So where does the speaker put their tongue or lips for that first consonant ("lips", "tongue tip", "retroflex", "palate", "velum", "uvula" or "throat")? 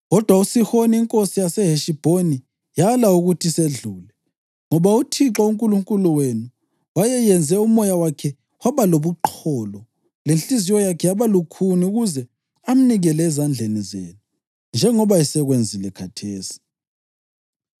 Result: velum